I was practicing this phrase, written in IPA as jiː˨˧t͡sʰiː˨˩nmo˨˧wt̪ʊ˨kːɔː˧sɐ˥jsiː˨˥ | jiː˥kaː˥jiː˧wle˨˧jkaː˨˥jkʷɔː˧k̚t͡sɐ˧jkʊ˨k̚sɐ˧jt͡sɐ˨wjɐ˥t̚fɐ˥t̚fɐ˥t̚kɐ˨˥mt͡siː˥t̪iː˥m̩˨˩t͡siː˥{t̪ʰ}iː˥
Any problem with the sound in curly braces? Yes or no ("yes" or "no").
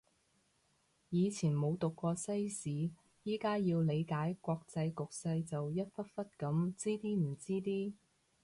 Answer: yes